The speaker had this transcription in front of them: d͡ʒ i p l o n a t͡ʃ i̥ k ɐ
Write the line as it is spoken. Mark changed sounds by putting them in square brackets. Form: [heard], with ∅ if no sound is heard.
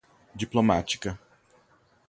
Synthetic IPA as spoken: d͡ʒ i p l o [m] a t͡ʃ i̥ k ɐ